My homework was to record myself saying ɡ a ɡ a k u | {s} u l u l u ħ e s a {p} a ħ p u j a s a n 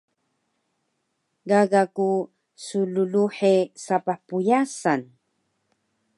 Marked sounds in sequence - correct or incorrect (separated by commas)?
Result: correct, correct